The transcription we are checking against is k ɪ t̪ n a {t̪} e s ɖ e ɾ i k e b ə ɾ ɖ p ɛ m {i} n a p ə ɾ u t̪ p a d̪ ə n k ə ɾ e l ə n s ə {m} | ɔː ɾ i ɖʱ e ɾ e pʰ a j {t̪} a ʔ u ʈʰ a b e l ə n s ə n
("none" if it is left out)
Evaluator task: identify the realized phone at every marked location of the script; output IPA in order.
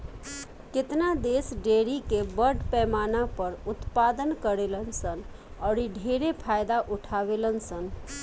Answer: d̪, a, n, d̪

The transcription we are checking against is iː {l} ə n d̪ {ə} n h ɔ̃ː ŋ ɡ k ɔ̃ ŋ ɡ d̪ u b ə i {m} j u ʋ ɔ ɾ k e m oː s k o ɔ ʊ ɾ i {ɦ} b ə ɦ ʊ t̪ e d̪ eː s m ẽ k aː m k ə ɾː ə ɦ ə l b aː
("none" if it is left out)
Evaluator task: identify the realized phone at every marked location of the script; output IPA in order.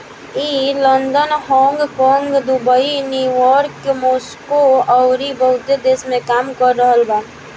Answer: l, ə, n, none

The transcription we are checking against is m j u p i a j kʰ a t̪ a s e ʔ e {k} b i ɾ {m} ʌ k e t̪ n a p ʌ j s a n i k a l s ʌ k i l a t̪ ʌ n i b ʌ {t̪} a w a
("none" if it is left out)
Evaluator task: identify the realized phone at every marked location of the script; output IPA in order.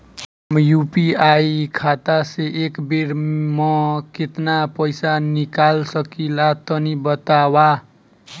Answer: k, m, t̪

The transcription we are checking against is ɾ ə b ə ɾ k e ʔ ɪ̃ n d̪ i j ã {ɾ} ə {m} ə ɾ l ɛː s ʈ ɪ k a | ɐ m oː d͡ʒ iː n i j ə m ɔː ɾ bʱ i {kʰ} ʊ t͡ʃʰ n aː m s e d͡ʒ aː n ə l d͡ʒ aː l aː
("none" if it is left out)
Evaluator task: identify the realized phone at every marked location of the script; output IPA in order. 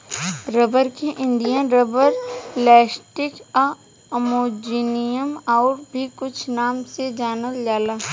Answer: ɾ, b, k

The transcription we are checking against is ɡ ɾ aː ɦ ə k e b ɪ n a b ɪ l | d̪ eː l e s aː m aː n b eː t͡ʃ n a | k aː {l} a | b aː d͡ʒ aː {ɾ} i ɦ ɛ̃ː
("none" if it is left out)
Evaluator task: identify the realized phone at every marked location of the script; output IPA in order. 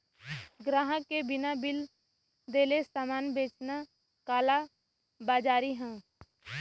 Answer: l, ɾ

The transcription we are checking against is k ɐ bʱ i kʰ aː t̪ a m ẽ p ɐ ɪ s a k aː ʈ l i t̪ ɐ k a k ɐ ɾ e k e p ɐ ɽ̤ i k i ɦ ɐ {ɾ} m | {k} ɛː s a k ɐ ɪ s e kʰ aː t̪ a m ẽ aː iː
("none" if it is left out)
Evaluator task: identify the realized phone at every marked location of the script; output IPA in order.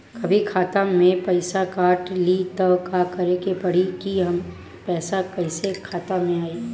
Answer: none, p

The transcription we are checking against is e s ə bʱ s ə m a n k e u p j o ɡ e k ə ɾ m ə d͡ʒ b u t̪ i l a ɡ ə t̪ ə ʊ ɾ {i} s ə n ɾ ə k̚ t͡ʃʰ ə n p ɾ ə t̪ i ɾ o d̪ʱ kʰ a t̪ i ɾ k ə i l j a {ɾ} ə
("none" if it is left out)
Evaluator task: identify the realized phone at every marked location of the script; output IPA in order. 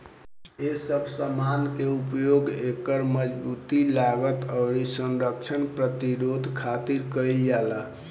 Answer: i, l

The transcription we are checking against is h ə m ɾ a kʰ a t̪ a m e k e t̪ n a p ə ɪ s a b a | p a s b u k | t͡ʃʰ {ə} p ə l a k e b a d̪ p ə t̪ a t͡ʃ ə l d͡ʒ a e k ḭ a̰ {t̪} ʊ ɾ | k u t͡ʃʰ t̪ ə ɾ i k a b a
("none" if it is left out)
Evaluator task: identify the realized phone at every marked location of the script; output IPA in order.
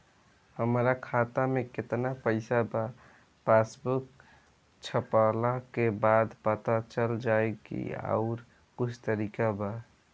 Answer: ə, none

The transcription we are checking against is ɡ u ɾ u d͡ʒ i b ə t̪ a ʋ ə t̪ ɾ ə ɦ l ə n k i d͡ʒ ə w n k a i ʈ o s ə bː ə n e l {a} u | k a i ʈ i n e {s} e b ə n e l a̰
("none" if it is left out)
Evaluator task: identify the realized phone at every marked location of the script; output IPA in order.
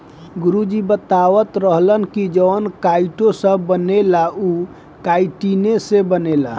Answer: a, s

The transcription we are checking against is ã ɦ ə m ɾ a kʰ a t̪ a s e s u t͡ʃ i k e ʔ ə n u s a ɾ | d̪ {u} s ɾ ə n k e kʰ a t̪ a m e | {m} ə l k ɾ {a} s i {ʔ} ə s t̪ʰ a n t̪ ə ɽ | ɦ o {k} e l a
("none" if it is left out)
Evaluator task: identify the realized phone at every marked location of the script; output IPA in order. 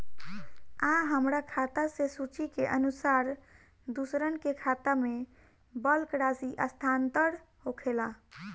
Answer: u, b, a, ʔ, kʰ

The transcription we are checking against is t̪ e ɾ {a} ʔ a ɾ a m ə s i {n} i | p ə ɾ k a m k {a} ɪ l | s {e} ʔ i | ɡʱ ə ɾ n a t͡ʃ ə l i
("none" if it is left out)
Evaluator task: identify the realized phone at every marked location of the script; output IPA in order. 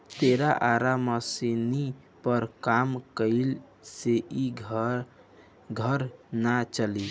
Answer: a, n, ə, e

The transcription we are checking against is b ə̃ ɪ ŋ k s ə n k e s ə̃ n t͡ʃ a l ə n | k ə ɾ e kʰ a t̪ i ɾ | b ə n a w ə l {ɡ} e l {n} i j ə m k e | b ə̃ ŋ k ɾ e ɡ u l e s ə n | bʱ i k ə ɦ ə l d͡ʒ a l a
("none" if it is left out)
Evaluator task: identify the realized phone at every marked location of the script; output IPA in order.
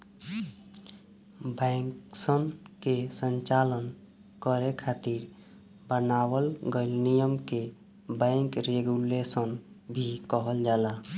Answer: ɡ, n

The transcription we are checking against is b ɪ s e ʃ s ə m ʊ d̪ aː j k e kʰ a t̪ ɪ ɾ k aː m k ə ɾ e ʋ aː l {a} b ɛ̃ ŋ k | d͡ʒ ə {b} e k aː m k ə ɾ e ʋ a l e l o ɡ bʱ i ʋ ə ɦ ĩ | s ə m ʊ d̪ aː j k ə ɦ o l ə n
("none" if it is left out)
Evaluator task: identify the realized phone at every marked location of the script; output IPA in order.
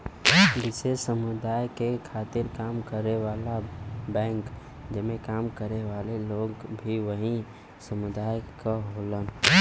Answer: a, m

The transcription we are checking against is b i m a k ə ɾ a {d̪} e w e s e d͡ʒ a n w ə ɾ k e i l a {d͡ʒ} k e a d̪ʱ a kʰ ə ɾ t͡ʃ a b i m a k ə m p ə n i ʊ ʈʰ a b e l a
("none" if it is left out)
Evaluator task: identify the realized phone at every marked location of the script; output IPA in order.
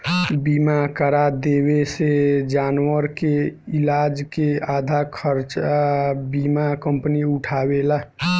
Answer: d̪, d͡ʒ

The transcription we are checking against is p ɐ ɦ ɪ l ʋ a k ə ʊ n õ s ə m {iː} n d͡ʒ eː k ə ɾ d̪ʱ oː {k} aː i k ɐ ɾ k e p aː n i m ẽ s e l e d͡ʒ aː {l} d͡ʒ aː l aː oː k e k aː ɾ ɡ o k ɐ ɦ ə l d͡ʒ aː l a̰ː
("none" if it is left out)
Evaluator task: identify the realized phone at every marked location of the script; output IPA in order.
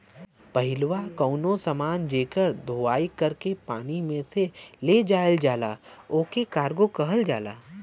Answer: aː, none, l

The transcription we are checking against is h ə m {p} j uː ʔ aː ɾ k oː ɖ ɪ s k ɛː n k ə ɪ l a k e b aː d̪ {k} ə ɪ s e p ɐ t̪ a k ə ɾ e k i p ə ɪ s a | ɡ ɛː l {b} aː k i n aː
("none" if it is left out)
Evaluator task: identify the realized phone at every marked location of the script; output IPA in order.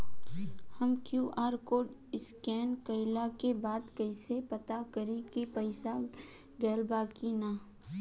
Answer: k, k, b

